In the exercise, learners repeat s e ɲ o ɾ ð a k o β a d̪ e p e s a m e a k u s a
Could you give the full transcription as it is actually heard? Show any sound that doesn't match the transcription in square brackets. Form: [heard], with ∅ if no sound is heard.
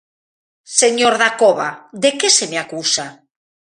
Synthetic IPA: s e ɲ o ɾ ð a k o β a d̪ e [k] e s [e] m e a k u s a